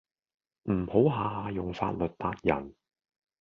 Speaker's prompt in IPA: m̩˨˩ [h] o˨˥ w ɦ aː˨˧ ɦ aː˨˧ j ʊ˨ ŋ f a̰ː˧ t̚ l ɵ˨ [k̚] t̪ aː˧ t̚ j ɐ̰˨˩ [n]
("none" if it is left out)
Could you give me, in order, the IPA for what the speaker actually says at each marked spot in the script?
h, t̚, n

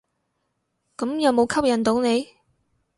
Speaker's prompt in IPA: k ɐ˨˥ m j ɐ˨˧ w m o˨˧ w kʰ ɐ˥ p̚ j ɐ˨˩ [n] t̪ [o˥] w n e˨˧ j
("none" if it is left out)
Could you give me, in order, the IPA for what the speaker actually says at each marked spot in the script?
n, o˨˥

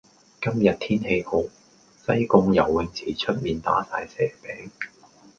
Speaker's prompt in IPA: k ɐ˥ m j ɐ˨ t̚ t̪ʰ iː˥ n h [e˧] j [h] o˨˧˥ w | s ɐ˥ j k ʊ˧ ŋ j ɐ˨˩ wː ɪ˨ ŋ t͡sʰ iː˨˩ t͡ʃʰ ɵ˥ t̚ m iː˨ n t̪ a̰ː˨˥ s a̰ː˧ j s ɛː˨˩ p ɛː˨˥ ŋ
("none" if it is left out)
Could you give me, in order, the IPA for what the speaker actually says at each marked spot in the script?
e˧, h

